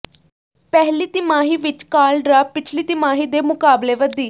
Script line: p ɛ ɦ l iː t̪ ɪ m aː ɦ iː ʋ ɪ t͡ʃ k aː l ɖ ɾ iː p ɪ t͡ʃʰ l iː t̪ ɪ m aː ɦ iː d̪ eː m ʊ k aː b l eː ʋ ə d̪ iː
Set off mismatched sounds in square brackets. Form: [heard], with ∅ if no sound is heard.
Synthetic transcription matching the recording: p ɛ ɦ l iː t̪ ɪ m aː ɦ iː ʋ ɪ t͡ʃ k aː l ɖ ɾ [aː] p ɪ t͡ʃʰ l iː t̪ ɪ m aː ɦ iː d̪ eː m ʊ k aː b l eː ʋ ə d̪ iː